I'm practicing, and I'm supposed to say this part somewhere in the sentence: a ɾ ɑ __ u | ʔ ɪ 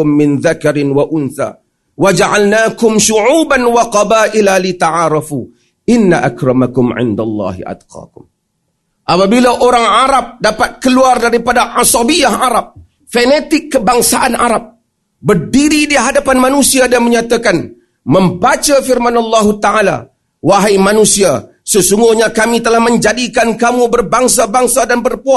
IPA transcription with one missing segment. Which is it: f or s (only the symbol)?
f